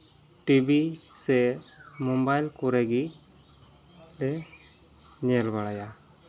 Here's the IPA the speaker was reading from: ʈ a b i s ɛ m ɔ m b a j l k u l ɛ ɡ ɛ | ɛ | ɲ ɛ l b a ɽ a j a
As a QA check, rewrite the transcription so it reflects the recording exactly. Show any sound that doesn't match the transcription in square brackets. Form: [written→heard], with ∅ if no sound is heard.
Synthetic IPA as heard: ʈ [a→i] b i s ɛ m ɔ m b a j l k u [l→ɾ] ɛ ɡ [ɛ→i] | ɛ | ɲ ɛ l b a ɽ a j a